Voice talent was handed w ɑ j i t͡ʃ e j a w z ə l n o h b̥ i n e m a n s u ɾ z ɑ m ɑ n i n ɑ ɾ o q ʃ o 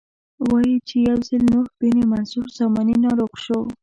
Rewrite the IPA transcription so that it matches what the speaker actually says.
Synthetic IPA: w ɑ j i t͡ʃ e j a w z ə l n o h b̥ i n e m a n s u ɾ z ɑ m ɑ n i n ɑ ɾ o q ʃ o